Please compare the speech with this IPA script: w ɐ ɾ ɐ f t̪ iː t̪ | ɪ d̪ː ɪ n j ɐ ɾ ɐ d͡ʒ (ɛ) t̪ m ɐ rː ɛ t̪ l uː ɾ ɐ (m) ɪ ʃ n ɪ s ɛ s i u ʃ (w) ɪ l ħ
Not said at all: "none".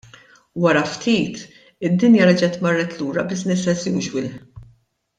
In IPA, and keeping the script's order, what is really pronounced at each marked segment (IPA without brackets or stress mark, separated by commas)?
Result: ɛ, b, w